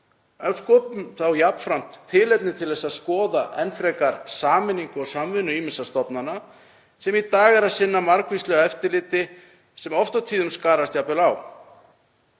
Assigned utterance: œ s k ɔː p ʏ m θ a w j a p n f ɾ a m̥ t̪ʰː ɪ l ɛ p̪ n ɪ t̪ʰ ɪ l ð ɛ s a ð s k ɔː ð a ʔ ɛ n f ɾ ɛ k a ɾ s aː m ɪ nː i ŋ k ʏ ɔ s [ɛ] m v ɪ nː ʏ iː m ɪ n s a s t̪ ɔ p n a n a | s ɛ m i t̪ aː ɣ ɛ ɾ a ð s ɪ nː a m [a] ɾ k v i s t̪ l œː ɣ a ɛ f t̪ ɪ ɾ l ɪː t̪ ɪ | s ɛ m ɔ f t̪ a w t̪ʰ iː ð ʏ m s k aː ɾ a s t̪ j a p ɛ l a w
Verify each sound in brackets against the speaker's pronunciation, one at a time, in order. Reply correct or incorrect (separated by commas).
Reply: incorrect, correct